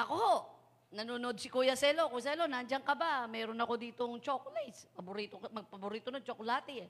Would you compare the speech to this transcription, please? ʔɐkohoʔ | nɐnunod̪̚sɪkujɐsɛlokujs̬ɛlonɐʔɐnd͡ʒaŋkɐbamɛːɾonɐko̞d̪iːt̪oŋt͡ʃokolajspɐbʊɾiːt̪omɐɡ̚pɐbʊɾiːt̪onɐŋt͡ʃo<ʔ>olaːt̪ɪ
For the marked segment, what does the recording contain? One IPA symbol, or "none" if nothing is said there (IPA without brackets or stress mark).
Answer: k